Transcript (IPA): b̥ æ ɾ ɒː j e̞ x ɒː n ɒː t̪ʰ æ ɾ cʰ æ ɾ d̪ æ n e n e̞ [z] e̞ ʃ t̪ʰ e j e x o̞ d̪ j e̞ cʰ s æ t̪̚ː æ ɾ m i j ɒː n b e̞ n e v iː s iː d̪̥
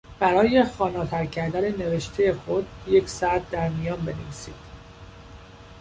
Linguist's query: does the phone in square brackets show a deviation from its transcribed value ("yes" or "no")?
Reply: yes